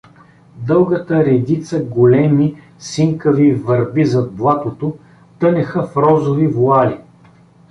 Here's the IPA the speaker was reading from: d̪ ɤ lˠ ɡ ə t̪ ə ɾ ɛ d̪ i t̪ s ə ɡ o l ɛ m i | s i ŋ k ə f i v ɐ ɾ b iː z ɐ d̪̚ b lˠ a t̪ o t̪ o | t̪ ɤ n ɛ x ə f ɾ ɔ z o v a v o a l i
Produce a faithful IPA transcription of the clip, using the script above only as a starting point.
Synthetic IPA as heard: d̪ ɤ lˠ ɡ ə t̪ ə ɾ ɛ d̪ i t̪ s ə ɡ o l ɛ m i | s i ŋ k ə v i v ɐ ɾ b i z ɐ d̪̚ b lˠ a t̪ o t̪ o | t̪ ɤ n ɛ x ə f ɾ ɔ z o v i v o a l i